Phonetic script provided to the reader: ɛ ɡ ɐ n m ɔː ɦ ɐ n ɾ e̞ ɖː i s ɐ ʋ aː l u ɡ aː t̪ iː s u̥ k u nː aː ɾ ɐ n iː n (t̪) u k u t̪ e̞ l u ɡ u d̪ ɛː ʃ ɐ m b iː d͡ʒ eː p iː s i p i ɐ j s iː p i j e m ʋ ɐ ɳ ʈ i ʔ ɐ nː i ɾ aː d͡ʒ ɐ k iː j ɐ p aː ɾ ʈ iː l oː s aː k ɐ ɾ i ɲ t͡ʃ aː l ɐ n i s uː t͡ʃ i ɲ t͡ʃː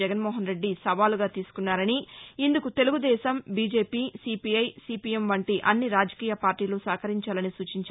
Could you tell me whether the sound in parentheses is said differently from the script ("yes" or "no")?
yes